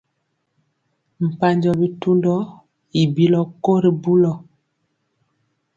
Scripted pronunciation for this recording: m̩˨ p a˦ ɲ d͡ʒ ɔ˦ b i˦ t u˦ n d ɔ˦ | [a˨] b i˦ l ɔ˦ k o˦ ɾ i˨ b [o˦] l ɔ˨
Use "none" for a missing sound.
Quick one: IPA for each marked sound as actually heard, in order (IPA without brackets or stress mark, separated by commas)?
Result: i˨, u˦